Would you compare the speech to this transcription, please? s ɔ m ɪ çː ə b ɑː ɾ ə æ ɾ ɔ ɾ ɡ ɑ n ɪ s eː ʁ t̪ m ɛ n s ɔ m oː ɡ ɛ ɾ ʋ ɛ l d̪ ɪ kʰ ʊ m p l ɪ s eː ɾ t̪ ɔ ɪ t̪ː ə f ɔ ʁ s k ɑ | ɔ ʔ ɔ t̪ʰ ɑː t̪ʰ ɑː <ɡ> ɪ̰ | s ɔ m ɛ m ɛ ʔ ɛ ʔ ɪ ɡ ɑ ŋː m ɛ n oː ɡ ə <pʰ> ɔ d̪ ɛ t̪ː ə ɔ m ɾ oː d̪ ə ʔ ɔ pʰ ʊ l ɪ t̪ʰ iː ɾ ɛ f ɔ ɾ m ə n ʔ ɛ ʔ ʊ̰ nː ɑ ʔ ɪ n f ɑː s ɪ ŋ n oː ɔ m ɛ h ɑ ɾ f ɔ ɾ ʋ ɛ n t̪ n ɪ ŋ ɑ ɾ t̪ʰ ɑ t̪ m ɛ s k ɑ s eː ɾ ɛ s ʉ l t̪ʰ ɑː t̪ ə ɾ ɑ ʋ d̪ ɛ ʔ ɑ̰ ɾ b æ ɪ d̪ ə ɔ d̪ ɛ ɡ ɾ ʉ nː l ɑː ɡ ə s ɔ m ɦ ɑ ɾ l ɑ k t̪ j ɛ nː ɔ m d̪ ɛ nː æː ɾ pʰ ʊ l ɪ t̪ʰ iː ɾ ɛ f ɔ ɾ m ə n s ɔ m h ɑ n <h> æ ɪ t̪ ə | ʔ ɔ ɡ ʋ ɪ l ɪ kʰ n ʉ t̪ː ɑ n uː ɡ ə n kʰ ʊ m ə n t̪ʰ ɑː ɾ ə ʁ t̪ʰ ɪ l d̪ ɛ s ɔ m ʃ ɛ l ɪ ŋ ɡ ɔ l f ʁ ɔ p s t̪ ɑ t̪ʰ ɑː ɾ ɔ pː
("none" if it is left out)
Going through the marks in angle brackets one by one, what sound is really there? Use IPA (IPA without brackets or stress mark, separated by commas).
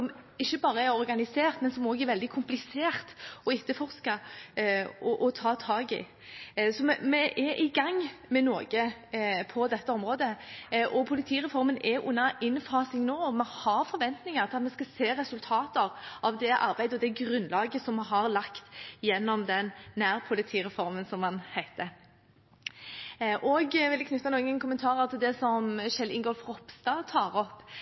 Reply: ɡ, pʰ, h